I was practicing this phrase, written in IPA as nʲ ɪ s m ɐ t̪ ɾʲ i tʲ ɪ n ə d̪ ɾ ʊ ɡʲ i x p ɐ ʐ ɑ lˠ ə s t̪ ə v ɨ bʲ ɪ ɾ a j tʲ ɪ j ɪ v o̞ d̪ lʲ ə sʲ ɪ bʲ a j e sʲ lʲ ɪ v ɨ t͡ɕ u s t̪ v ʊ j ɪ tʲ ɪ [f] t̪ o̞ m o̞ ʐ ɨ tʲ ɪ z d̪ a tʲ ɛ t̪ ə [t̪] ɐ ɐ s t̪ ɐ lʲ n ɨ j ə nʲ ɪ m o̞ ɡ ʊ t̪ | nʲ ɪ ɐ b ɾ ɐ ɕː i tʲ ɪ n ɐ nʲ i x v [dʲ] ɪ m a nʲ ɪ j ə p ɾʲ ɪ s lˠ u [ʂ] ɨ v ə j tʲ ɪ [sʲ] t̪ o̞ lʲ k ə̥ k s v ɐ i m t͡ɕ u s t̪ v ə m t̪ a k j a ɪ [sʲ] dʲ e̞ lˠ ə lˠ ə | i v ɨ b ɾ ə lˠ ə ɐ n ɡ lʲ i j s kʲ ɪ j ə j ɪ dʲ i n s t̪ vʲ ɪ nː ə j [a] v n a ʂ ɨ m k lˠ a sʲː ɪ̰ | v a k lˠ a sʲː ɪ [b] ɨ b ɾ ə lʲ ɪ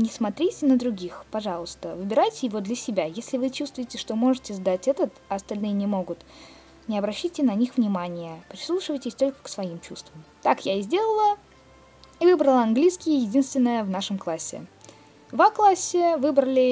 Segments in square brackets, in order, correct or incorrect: incorrect: ʂ, correct, incorrect: nʲ, correct, correct, incorrect: zʲ, incorrect: ə, incorrect: v

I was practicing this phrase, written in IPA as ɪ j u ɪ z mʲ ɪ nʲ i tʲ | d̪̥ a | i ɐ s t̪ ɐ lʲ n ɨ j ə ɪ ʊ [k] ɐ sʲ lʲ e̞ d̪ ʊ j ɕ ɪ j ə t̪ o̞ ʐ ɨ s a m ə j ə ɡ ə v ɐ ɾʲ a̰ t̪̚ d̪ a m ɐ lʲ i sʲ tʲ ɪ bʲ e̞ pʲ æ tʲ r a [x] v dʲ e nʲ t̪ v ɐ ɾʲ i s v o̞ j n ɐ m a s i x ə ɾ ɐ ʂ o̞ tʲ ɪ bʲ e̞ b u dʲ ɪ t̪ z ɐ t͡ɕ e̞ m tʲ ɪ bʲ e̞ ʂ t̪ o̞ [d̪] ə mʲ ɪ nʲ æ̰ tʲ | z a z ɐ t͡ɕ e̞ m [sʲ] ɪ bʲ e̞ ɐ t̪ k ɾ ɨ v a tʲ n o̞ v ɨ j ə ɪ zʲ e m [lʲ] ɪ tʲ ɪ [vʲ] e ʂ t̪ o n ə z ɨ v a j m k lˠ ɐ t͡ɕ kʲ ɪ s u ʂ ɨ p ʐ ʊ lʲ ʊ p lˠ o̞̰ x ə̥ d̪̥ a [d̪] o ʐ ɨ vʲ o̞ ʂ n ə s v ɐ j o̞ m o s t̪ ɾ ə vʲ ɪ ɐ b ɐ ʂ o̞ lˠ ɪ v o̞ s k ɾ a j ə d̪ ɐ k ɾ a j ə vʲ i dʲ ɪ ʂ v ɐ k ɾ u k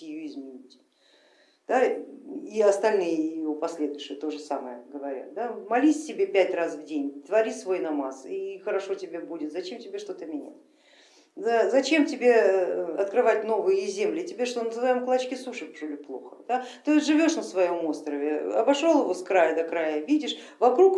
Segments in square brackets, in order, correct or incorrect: incorrect: p, incorrect: s, incorrect: t̪, incorrect: tʲ, correct, incorrect: bʲ, incorrect: t̪

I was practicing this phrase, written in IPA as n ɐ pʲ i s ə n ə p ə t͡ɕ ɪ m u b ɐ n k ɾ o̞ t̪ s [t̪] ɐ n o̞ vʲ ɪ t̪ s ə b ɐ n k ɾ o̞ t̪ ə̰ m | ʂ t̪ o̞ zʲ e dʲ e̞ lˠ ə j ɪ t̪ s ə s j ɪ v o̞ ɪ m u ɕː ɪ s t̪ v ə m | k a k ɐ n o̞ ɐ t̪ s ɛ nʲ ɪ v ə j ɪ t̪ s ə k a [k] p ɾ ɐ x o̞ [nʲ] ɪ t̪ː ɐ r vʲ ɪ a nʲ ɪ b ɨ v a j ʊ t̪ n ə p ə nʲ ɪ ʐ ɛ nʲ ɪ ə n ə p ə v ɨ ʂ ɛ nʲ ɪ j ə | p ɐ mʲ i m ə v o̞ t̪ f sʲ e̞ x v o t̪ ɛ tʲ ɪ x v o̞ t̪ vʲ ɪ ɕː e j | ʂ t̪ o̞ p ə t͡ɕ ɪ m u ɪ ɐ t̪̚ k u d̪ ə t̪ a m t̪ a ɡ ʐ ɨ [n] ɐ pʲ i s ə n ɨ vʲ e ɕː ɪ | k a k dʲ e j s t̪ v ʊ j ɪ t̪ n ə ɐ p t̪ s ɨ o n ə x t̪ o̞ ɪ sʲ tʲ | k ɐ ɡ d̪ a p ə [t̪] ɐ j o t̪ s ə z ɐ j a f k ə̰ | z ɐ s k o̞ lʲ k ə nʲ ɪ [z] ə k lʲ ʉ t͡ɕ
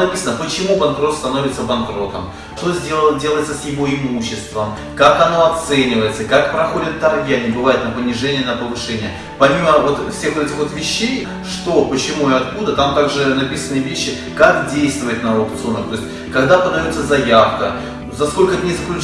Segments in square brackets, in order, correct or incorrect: correct, correct, incorrect: dʲ, correct, incorrect: d̪, correct

